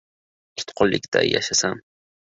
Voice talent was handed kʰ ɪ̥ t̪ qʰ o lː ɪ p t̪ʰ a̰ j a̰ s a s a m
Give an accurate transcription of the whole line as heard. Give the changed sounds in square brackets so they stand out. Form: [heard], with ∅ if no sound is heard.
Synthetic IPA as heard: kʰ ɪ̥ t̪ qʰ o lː ɪ [k] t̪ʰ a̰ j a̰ [ʃ] a s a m